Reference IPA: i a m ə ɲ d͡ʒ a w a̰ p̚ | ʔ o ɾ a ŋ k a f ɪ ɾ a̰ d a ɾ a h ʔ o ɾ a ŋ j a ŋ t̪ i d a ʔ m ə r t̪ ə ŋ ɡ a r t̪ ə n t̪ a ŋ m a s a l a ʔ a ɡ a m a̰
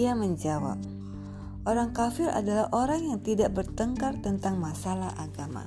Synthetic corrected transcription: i a m ə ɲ d͡ʒ a w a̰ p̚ | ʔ o ɾ a ŋ k a f ɪ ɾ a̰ d a l a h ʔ o ɾ a ŋ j a ŋ t̪ i d a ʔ b ə r t̪ ə ŋ k a r t̪ ə n t̪ a ŋ m a s a l a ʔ a ɡ a m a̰